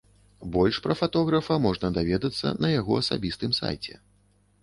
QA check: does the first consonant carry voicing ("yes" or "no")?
yes